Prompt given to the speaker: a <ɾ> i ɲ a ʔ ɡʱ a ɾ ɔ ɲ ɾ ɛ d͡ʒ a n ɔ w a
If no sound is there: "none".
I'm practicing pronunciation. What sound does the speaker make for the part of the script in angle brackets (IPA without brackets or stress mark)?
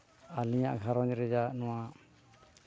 l